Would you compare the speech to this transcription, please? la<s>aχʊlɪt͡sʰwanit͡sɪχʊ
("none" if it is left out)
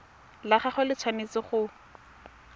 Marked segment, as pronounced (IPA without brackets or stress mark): χ